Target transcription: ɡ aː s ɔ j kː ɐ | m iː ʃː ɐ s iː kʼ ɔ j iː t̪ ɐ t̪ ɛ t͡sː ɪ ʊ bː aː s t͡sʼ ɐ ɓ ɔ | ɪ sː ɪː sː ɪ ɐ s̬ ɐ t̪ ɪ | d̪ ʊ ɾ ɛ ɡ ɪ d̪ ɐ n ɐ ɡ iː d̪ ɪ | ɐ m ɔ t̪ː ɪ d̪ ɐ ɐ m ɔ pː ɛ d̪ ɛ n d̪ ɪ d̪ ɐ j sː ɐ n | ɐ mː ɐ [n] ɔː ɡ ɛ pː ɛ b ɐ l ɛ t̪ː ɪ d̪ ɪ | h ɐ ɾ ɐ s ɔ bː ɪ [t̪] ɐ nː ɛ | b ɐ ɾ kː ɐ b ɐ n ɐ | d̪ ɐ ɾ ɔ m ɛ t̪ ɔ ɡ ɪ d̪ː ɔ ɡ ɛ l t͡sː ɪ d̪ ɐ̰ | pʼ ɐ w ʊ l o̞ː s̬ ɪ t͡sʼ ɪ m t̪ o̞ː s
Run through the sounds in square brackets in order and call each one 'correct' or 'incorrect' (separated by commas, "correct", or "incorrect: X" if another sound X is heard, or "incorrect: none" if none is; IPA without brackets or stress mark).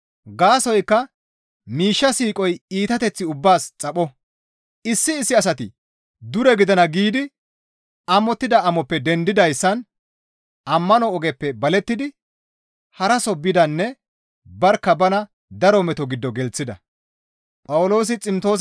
correct, incorrect: d̪